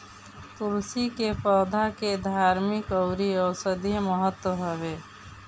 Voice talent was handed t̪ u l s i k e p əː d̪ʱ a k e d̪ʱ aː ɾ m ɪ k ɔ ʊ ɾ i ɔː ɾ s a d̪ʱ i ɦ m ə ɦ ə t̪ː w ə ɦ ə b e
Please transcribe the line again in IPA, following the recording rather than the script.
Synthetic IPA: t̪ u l s i k e p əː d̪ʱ a k e d̪ʱ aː ɾ m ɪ k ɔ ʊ ɾ i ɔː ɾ s ə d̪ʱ i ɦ m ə ɦ ə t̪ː w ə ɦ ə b e